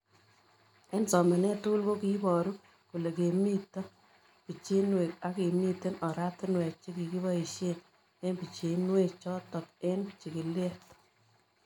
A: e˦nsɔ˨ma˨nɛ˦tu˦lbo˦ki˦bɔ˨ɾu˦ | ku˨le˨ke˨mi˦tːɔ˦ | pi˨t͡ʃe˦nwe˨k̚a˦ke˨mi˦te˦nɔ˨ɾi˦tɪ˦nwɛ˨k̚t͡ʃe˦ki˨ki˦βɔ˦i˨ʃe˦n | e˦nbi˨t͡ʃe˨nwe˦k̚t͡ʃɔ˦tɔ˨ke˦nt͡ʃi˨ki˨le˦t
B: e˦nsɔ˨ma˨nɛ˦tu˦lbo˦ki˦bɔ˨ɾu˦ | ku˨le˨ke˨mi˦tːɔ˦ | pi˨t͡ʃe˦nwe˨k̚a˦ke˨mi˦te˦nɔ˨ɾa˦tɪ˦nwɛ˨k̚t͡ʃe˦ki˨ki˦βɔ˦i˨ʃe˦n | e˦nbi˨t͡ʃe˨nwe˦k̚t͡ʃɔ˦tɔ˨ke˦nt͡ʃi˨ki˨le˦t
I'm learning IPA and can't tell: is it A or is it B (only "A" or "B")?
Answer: B